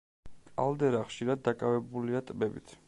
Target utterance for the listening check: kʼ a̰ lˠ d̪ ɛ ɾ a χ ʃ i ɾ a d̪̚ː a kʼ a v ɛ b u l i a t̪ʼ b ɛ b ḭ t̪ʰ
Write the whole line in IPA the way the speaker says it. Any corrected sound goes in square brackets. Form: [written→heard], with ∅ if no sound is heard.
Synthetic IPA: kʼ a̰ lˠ d̪ ɛ ɾ a χ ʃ i ɾ a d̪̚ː a kʼ a v ɛ b u l i a t̪ʼ b ɛ b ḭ t̪ʰ